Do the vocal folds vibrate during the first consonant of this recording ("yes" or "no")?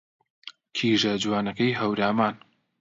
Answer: no